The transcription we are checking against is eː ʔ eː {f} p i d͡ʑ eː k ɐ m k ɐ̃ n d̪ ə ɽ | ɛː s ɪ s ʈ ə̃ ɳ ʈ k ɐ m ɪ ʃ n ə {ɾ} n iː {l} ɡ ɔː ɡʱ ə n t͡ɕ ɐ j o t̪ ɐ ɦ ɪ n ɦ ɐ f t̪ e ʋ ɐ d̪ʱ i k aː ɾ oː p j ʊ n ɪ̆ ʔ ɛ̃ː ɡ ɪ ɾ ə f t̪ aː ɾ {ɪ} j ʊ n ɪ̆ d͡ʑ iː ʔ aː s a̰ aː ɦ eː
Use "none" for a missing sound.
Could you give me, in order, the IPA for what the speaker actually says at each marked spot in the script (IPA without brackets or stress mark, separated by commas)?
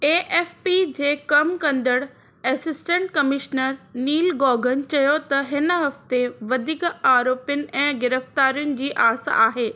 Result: f, ɾ, l, i